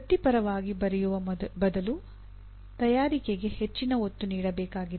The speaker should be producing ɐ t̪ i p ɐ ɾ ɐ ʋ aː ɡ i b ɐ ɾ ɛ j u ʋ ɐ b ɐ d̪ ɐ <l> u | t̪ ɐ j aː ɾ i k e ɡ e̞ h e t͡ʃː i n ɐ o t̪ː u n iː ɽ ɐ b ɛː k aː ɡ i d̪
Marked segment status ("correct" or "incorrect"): correct